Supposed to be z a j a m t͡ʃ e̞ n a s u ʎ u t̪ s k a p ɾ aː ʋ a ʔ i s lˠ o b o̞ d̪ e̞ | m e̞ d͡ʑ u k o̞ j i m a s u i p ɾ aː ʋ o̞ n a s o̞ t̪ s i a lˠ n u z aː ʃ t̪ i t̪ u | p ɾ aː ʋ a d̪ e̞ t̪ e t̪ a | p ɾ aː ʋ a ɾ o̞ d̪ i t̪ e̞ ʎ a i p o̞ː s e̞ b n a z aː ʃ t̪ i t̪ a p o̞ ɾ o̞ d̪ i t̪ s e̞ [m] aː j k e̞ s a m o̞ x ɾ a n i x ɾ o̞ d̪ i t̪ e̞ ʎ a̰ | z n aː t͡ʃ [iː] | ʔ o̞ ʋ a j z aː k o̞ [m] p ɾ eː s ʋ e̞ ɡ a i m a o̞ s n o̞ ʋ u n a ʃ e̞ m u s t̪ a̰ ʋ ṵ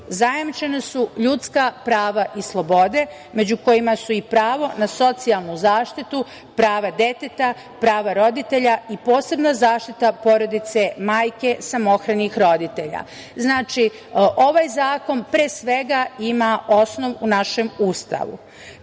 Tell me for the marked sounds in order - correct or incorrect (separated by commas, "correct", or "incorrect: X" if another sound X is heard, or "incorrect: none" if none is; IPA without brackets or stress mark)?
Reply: correct, incorrect: i, incorrect: n